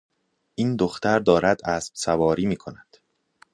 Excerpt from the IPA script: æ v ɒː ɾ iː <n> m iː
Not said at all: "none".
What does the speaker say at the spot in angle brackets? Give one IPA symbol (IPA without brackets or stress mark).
none